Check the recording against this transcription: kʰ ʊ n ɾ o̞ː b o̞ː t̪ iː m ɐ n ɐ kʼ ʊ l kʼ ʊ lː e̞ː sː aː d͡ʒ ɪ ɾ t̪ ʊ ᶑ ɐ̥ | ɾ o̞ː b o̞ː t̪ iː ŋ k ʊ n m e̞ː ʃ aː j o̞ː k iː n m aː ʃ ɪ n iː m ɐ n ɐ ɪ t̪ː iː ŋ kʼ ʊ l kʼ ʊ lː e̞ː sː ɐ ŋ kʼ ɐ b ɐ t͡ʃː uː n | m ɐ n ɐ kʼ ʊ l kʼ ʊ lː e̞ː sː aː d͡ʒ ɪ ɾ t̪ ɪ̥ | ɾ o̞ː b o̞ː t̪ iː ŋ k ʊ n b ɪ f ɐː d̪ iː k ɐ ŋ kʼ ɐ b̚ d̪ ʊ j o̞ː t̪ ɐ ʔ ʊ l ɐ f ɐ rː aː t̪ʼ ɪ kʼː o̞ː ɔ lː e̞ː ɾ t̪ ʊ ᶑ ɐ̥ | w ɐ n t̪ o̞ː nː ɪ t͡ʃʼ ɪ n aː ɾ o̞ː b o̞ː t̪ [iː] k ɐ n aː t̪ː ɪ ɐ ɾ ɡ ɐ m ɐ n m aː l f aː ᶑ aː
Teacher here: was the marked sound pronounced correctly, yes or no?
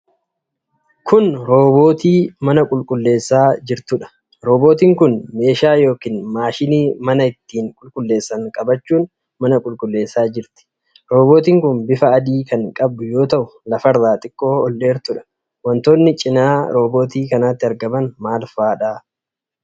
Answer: yes